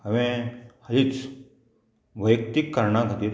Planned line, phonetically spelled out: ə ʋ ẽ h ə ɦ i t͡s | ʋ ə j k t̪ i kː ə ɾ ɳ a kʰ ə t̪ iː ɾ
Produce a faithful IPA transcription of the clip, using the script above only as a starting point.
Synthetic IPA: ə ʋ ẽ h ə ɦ i t͡s | ʋ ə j k t̪ i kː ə ɾ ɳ a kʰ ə t̪ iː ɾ